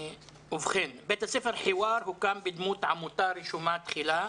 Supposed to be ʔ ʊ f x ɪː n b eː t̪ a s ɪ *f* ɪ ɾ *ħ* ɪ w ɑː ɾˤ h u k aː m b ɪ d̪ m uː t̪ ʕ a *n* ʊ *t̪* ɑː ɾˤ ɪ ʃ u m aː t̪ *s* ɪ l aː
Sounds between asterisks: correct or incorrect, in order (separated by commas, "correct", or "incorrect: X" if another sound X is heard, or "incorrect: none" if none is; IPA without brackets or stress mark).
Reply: correct, correct, incorrect: m, correct, incorrect: x